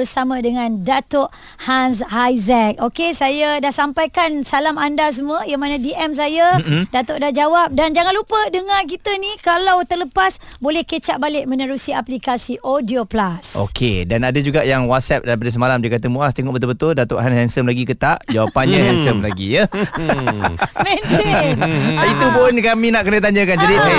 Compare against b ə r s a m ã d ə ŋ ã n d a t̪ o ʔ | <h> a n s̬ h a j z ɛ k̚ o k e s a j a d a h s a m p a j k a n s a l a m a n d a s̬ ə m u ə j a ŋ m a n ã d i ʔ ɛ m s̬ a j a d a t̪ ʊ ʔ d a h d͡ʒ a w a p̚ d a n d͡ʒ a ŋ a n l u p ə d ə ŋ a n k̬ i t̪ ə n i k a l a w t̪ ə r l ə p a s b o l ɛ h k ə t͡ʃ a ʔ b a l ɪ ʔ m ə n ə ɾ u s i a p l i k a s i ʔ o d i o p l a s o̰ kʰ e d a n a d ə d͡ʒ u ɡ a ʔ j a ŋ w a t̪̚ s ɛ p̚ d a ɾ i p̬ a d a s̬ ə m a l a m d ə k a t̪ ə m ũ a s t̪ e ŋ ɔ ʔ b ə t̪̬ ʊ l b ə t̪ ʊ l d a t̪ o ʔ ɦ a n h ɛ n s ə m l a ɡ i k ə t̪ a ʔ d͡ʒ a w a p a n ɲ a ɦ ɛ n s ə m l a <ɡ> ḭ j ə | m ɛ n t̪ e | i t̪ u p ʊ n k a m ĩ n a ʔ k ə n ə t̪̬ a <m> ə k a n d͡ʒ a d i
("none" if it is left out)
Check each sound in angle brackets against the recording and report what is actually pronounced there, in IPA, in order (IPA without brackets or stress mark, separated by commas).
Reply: h, ɡ, ɲ